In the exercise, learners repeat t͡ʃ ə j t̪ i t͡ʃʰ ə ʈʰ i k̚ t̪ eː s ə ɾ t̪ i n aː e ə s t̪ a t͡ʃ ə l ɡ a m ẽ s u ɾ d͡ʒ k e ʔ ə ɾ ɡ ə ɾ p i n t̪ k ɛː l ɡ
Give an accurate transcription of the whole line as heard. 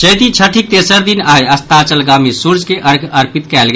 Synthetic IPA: t͡ʃ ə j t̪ i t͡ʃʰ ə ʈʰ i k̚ t̪ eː s ə ɾ d̪ i n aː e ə s t̪ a t͡ʃ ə l ɡ a m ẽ s u ɾ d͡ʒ k e ʔ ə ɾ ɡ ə ɾ p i t̪ k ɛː l ɡ